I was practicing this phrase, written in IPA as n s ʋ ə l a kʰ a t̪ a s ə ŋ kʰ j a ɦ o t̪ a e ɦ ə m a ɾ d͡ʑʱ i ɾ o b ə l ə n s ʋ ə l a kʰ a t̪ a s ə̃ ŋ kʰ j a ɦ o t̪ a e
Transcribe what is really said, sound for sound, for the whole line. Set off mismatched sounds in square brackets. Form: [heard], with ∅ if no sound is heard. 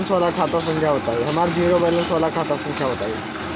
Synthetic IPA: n s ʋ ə l a kʰ a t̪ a s ə ŋ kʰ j a ɦ o t̪ a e ɦ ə m a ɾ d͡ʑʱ i ɾ o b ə l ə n s ʋ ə l a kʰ a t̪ a s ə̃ ŋ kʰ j a ɦ o t̪ a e